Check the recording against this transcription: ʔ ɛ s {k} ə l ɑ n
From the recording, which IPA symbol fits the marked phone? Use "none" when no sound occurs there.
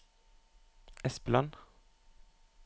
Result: p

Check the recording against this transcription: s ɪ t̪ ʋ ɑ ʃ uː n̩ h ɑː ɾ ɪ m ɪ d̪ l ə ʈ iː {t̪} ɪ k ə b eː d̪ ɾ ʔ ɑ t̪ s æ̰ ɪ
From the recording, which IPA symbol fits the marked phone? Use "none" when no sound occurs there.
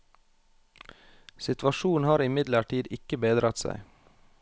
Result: d̪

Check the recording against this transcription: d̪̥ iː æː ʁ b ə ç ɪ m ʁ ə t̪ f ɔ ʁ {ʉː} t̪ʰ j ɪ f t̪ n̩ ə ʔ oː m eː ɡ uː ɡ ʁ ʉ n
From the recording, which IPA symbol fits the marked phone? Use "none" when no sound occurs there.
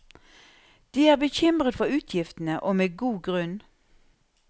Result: ʉː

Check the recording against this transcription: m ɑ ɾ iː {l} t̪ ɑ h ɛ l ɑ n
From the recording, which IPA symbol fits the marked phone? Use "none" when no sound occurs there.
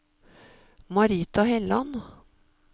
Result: none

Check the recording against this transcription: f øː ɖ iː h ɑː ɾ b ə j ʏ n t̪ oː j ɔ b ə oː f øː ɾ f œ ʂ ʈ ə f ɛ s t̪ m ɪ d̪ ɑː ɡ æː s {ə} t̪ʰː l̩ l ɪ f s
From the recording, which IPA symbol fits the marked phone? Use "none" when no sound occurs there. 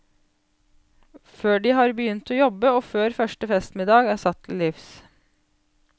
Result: ɑ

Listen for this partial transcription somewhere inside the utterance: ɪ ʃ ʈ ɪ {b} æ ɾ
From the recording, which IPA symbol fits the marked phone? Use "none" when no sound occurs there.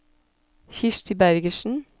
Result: b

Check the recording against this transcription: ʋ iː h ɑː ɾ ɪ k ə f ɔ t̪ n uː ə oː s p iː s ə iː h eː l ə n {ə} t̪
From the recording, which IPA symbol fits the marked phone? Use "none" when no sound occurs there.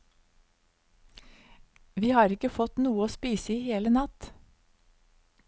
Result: ɑ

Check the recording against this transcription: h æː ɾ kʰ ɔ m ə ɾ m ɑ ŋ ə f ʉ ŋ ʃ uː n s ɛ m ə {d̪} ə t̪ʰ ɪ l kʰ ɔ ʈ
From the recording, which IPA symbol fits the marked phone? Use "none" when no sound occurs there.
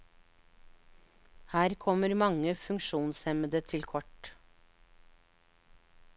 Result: d̪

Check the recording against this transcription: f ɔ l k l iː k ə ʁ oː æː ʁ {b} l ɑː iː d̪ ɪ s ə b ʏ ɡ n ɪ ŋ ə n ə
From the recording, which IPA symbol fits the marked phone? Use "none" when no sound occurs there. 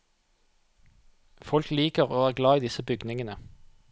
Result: ɡ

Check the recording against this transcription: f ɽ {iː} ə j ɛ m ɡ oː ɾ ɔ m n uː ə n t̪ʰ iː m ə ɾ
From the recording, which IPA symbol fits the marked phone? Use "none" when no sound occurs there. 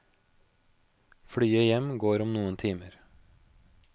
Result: yː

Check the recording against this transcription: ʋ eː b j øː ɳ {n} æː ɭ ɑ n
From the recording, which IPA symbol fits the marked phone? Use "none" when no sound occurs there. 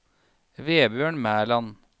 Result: m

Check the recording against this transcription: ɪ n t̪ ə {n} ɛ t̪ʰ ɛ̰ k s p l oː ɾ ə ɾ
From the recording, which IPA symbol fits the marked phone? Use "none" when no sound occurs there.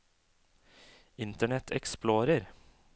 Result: ɳ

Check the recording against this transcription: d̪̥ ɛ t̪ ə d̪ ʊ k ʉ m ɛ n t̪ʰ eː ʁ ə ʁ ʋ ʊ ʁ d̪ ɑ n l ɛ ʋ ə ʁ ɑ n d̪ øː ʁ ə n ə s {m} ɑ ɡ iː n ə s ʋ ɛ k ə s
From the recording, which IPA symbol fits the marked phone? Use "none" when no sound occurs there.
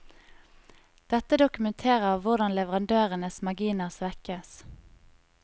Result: m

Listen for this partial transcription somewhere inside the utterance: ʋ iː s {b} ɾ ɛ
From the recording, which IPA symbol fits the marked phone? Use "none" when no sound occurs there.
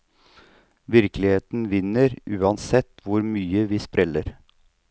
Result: p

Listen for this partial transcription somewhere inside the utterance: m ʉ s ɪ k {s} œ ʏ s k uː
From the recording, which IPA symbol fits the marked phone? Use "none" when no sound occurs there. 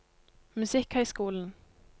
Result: h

